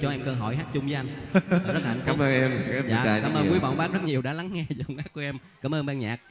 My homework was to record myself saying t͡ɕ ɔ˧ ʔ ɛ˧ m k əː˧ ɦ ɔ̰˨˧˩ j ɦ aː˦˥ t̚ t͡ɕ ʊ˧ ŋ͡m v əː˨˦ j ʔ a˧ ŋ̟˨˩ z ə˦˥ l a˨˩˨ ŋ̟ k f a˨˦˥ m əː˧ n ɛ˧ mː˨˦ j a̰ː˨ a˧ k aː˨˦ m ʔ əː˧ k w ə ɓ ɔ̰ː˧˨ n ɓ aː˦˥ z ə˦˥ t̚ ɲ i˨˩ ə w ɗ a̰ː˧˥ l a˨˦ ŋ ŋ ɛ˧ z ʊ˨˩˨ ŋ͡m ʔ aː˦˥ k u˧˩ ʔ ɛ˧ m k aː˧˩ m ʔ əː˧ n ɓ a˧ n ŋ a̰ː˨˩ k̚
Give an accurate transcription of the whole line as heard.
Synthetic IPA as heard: t͡ɕ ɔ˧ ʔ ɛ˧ m k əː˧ ɦ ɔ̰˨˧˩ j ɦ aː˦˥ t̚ t͡ɕ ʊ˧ ŋ͡m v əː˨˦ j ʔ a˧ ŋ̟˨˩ z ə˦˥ l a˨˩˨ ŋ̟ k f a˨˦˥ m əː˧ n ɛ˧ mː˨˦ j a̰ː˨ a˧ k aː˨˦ m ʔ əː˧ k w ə ɓ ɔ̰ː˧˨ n ɓ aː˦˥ z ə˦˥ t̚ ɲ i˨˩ ə w ɗ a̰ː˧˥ l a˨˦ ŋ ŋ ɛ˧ z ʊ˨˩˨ ŋ͡m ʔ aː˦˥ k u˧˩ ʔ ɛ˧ m k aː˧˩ m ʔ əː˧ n ɓ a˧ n ɲ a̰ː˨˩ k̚